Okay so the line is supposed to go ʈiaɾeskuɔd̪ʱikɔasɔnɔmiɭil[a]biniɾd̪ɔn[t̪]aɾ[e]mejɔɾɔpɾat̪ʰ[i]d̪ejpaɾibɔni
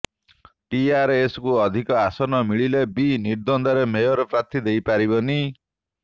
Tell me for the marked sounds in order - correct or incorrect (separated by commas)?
incorrect, incorrect, correct, correct